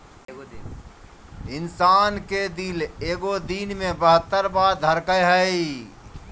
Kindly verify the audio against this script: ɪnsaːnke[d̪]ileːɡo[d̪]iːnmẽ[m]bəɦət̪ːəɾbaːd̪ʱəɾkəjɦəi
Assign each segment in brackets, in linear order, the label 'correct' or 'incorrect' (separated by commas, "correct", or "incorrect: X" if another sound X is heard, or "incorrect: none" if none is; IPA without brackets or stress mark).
correct, correct, incorrect: none